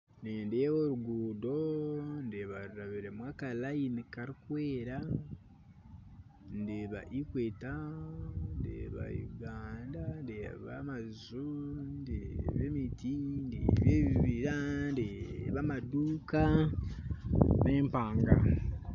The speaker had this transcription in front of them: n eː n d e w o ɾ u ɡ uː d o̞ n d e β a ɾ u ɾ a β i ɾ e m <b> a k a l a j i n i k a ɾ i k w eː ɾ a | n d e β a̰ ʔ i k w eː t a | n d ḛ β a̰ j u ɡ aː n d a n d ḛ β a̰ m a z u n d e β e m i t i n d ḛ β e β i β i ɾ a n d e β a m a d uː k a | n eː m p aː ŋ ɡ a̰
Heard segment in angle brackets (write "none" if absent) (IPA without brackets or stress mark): w